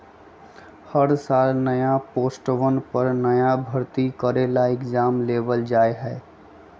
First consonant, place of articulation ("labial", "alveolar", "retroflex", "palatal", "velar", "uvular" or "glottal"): glottal